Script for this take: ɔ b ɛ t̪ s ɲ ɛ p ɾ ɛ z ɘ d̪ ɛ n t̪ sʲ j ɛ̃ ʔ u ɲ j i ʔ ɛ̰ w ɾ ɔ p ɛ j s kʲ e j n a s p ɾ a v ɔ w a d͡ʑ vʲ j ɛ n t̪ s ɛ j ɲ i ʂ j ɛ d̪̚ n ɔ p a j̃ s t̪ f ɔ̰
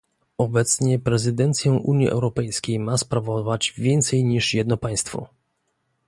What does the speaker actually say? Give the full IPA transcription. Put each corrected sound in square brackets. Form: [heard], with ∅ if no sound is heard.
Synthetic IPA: ɔ b ɛ t̪ s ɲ ɛ p ɾ ɛ z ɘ d̪ ɛ n t̪ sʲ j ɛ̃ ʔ u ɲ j i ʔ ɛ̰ w ɾ ɔ p ɛ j s kʲ e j [m] a s p ɾ a v ɔ [v] a d͡ʑ vʲ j ɛ n t̪ s ɛ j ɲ i ʂ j ɛ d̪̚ n ɔ p a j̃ s t̪ f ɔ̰